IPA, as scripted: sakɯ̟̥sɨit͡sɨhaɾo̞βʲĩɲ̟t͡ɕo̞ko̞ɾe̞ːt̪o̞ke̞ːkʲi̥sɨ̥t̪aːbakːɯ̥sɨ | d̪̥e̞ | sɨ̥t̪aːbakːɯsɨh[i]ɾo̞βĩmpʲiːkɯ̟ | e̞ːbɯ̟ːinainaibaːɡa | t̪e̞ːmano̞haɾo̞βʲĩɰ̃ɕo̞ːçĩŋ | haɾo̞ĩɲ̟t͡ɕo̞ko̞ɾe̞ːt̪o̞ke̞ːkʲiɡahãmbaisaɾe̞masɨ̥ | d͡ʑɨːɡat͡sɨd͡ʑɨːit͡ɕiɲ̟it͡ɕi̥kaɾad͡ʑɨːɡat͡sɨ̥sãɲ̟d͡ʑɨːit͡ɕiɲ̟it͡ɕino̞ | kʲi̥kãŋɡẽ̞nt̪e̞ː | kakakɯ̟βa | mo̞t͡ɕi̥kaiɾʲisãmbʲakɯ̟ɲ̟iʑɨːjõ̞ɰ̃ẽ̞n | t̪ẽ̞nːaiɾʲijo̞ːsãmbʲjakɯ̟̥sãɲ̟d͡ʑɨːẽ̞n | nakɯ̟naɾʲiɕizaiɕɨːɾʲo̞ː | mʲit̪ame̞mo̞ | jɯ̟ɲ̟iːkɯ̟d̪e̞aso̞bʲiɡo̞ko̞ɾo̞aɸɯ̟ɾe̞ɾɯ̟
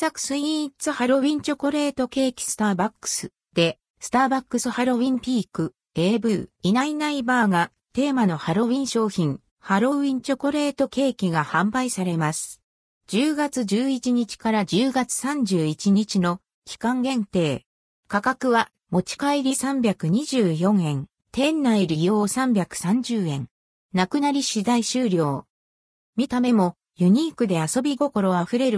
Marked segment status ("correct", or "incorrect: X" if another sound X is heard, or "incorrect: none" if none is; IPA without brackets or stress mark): incorrect: a